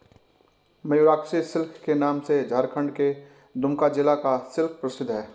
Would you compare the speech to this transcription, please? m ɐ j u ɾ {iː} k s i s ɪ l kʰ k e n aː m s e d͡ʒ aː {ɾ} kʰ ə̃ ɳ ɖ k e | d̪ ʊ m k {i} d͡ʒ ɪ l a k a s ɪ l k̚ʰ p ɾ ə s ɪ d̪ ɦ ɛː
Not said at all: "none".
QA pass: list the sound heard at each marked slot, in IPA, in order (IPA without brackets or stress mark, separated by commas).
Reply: aː, ɾ, a